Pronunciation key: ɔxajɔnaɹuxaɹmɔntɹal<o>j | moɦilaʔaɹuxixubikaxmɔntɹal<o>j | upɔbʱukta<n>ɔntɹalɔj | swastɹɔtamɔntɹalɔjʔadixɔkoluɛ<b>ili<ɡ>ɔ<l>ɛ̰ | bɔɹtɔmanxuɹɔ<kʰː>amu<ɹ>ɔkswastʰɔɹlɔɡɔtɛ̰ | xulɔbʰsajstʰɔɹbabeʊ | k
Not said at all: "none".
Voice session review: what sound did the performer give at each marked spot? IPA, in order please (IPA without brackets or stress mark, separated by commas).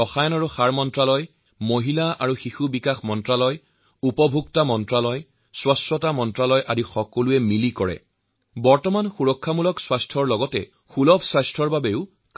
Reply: ɔ, ɔ, m, m, k, ɹ, kʰː, l